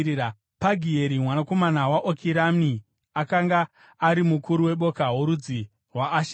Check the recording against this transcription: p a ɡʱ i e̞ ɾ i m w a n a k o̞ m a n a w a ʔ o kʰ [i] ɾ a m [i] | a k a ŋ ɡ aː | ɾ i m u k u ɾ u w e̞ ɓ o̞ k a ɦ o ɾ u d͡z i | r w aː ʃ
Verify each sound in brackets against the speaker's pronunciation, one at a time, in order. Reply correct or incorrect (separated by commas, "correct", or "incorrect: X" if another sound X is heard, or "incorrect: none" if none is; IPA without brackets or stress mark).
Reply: correct, correct